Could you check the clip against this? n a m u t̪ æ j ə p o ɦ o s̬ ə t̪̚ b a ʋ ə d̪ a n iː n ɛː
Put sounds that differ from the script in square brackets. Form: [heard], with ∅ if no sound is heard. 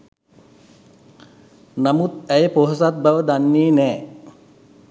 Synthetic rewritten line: n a m u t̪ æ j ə p o ɦ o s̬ [a] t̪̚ b a ʋ ə d̪ a [nː] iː n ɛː